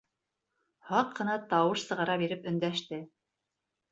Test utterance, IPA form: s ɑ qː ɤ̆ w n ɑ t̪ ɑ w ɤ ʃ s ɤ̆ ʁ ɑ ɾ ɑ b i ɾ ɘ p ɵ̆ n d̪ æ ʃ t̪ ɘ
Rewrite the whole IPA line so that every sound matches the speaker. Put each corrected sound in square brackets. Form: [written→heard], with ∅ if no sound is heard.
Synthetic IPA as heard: [s→h] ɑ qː ɤ̆ [w→∅] n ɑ t̪ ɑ w ɤ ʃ s ɤ̆ ʁ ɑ ɾ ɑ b i ɾ ɘ p ɵ̆ n d̪ æ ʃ t̪ ɘ